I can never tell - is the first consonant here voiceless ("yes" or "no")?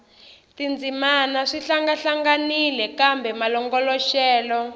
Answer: yes